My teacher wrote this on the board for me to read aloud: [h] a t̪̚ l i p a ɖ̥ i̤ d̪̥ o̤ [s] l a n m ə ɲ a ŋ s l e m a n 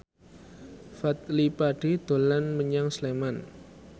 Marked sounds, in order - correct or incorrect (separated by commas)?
incorrect, incorrect